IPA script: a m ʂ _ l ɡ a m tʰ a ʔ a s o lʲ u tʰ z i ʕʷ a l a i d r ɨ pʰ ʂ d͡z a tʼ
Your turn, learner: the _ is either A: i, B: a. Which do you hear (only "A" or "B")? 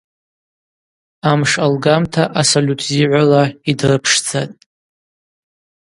B